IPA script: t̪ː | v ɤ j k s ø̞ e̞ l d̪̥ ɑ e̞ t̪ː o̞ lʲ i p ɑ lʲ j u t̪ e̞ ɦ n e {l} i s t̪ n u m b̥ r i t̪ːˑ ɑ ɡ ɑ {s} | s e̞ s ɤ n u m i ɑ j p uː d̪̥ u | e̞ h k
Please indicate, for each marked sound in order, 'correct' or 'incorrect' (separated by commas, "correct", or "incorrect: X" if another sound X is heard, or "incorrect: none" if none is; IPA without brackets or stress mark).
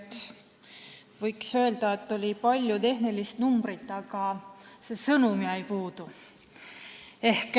correct, incorrect: none